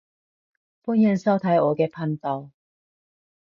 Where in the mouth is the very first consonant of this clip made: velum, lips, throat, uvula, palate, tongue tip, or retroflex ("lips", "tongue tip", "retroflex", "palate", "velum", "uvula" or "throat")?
lips